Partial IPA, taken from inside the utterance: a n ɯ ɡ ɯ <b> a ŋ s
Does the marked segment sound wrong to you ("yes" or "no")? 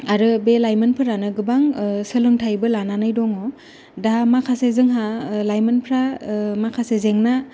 no